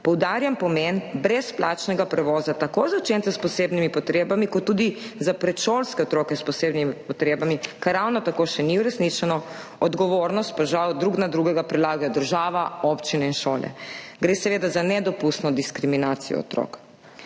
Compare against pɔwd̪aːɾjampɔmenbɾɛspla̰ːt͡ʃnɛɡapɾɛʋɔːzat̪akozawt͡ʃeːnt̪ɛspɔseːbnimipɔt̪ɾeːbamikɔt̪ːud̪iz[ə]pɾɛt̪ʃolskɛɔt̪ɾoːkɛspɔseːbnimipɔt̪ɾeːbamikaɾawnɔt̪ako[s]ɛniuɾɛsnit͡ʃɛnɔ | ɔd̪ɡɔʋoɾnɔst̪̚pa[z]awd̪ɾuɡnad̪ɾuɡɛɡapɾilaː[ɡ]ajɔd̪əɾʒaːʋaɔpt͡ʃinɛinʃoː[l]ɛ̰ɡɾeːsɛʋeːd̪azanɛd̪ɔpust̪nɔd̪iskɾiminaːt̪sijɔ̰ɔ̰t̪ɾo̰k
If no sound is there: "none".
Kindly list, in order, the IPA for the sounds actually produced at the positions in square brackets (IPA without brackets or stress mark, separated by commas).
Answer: a, ʃ, ʒ, ɡ, l